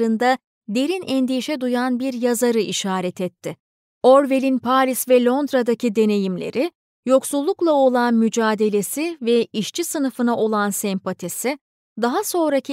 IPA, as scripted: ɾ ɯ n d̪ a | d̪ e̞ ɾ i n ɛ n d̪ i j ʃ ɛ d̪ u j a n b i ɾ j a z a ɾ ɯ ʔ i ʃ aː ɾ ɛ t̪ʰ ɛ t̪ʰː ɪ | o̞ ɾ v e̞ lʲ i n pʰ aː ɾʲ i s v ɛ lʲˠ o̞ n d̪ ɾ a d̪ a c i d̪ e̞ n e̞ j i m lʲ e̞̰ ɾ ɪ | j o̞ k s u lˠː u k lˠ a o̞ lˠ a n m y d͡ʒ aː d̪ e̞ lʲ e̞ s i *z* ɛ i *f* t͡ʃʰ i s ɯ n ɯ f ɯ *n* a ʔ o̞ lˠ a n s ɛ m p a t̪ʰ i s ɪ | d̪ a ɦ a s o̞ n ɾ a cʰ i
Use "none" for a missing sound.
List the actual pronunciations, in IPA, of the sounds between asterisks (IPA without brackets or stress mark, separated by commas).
v, ʃ, n